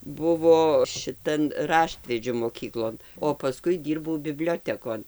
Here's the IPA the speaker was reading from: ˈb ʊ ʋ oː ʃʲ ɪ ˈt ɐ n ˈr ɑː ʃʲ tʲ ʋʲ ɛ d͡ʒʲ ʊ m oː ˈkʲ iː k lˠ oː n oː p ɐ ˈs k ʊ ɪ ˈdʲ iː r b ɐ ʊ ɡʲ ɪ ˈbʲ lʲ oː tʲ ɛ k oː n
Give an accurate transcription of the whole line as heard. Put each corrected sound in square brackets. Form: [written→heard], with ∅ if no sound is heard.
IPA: ˈb ʊ ʋ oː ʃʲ ɪ ˈt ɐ n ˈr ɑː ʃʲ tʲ ʋʲ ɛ d͡ʒʲ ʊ m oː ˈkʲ iː k lˠ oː n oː p ɐ ˈs k ʊ ɪ ˈdʲ iː r b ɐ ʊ [ɡʲ→bʲ] ɪ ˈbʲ lʲ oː tʲ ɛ k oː n